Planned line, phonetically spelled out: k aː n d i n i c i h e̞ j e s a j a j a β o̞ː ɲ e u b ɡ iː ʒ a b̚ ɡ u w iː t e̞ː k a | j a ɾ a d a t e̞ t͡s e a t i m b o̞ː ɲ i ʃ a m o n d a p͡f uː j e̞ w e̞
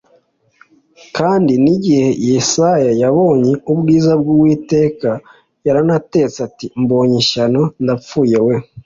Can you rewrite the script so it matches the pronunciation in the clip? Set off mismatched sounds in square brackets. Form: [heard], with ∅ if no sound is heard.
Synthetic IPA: k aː n d i n i [ɟ] i h e̞ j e s a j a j a β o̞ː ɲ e u b ɡ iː [z] a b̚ ɡ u w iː t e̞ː k a | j a ɾ a [n] a t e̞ t͡s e a t i m b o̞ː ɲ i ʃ a [n] o n d a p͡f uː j e̞ w e̞